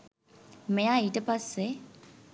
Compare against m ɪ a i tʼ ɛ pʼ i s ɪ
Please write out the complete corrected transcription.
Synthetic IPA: m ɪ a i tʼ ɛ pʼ a s ɪ